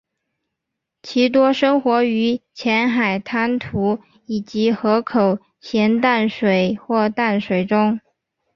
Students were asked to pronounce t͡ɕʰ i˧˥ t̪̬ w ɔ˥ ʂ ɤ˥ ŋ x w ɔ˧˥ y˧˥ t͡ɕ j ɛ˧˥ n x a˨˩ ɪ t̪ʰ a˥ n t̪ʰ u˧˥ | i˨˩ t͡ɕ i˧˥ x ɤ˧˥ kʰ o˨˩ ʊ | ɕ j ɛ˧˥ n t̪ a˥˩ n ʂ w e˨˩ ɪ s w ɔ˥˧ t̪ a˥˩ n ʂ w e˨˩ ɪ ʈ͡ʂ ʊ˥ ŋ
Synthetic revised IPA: t͡ɕʰ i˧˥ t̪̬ w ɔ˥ ʂ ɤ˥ ŋ x w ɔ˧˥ y˧˥ t͡ɕʰ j ɛ˧˥ n x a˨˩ ɪ t̪ʰ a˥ n t̪ʰ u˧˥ | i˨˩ t͡ɕ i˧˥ x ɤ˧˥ kʰ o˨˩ ʊ | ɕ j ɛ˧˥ n t̪ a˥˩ n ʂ w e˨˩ ɪ x w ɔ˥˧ t̪ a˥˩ n ʂ w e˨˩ ɪ ʈ͡ʂ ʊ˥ ŋ